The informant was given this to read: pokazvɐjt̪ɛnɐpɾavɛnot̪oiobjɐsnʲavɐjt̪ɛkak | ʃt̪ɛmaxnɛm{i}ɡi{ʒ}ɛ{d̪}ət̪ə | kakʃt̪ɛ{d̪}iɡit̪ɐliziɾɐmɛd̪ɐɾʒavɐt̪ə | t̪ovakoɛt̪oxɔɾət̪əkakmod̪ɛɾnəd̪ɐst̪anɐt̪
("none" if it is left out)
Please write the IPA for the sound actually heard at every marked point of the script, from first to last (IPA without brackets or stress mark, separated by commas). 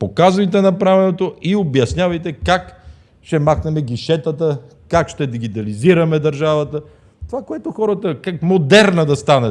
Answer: ɛ, ʃ, t̪, d̪